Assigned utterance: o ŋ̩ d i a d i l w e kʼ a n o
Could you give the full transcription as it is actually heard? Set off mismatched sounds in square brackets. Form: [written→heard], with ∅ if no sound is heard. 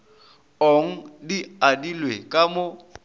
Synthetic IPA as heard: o ŋ̩ d i a d i l w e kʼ a [n→m] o